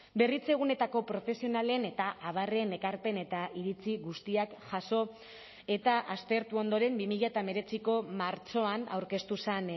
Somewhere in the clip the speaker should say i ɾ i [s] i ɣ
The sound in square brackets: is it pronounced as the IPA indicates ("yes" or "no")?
no